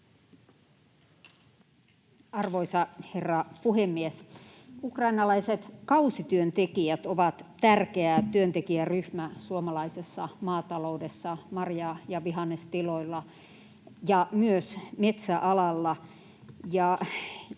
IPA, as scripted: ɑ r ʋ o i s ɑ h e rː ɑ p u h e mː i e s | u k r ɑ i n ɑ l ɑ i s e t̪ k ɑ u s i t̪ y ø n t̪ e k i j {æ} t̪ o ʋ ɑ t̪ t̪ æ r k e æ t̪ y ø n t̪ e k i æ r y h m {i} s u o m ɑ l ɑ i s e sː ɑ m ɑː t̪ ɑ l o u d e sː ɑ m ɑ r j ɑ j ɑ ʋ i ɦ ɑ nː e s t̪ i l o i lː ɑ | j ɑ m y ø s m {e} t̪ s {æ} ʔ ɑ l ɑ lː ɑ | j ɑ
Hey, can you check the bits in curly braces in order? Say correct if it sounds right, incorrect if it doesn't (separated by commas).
correct, incorrect, correct, correct